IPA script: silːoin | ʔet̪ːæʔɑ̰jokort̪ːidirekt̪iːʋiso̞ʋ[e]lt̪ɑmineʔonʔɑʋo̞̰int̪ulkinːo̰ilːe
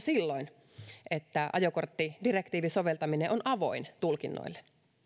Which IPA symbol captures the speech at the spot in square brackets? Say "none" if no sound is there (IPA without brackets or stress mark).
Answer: e